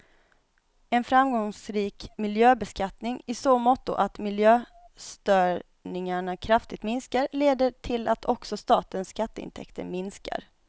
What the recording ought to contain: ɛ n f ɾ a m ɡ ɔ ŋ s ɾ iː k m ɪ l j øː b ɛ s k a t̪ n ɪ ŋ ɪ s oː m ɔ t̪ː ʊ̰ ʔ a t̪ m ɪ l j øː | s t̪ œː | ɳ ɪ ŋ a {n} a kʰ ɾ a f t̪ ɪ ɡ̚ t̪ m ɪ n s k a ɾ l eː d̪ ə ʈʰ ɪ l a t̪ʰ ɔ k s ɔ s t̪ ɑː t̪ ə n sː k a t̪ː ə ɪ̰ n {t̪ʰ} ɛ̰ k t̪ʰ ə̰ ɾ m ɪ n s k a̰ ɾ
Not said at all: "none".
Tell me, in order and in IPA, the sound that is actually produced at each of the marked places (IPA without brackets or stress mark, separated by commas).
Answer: ɳ, t̪ʰ